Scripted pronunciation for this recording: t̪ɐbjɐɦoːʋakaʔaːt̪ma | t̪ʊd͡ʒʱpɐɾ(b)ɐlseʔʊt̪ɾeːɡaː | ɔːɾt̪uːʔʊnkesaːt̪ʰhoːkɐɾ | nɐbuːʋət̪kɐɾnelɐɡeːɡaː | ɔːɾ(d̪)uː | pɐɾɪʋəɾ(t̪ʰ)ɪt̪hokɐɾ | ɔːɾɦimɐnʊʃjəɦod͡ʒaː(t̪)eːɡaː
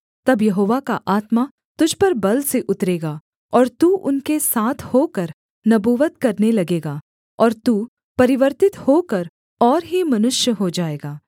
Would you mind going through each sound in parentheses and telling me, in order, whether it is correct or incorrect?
correct, incorrect, incorrect, incorrect

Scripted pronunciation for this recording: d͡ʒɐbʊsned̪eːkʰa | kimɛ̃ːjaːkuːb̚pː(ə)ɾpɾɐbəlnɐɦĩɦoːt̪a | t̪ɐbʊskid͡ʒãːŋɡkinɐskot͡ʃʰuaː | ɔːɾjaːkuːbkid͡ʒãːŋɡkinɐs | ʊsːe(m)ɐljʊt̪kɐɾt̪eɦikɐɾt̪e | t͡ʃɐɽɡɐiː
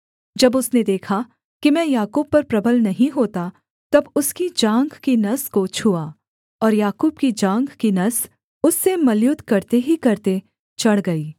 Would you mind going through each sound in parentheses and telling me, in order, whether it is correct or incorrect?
incorrect, correct

